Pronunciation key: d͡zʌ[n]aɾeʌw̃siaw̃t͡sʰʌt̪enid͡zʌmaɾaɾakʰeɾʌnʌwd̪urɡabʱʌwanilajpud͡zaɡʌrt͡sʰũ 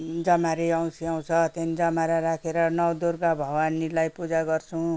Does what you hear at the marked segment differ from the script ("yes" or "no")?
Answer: yes